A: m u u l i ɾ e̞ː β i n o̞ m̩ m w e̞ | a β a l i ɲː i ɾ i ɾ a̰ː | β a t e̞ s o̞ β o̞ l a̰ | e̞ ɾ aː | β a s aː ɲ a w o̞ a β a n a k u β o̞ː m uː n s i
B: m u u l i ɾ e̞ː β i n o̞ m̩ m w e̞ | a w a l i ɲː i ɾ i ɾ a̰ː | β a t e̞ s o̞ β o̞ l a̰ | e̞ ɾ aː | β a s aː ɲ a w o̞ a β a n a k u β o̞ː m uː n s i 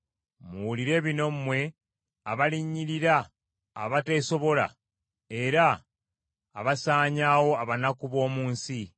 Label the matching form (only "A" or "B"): A